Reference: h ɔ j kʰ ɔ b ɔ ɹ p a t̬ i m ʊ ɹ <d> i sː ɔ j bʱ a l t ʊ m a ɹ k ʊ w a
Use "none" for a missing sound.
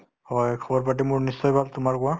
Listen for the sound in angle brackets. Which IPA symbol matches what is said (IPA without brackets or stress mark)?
n